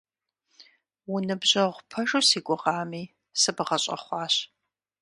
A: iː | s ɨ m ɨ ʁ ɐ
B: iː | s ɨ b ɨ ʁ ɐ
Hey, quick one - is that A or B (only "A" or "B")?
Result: B